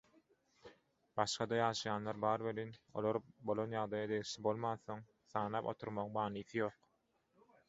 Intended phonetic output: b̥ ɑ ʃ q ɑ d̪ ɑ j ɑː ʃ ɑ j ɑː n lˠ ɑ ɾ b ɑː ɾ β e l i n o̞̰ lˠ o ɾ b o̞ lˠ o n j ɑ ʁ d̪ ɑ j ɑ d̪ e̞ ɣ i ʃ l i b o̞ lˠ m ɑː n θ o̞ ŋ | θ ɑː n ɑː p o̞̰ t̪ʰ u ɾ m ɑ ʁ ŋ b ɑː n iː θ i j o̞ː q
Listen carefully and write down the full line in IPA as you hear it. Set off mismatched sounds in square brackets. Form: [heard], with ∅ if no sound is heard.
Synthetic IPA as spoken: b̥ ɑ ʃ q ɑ d̪ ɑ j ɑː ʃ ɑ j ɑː n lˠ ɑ ɾ b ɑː ɾ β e l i n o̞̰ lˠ o ɾ b o̞ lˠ o n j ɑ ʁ d̪ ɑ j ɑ d̪ e̞ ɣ i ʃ l i b o̞ lˠ m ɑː n θ o̞ ŋ | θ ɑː n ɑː p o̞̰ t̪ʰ u ɾ m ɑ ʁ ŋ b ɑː n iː θ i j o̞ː q